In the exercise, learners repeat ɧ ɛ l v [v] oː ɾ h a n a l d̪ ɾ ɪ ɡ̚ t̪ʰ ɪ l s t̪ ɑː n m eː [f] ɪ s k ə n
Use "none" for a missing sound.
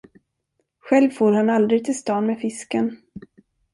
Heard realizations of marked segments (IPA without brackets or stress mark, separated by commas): f, f